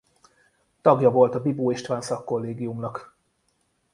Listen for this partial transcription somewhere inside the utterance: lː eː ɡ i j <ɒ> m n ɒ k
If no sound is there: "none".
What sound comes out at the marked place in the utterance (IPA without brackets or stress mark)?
u